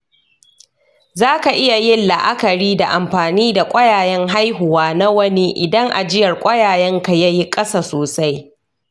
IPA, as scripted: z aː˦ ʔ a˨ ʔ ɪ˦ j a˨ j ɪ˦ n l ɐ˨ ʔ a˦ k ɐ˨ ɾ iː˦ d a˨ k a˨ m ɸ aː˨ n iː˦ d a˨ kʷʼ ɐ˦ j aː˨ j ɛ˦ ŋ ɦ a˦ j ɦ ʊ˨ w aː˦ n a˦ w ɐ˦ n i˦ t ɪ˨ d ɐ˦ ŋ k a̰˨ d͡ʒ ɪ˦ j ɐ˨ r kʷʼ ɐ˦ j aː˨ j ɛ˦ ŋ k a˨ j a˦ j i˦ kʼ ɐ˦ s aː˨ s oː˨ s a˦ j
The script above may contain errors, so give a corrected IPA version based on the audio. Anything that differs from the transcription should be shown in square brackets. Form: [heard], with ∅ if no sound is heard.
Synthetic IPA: z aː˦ [k] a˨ ʔ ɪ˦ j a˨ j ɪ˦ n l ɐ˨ ʔ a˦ k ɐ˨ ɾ iː˦ d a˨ [ʔ] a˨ m ɸ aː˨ n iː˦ d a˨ kʷʼ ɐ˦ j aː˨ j ɛ˦ ŋ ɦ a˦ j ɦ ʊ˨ w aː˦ n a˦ w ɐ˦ n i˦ [ʔ] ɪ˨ d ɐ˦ ŋ [ʔ] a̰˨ d͡ʒ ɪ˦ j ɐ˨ r kʷʼ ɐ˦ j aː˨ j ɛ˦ ŋ k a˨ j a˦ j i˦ kʼ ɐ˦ s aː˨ s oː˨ s a˦ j